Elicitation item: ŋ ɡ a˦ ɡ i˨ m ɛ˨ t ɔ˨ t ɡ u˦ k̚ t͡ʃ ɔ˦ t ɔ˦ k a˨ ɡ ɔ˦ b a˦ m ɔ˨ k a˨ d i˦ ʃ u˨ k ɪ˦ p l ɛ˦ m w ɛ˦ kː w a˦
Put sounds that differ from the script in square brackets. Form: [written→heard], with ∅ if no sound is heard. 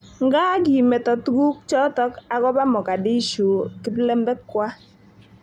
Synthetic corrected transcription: ŋ ɡ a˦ ɡ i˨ m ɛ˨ t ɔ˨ t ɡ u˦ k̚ t͡ʃ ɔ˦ t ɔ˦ k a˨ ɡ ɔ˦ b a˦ m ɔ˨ k a˨ d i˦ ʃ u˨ k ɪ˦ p l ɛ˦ m [w→b] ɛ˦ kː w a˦